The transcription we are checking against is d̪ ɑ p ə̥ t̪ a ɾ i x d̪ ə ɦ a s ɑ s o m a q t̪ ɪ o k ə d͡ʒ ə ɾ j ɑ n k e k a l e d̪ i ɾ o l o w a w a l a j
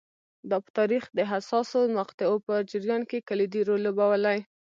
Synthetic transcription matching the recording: d̪ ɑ p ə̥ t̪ ɑ ɾ i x d̪ ə ɦ a s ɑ s o m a q t̪ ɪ o p ə d͡ʒ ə ɾ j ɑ n k e k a l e d̪ i ɾ o l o b a w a l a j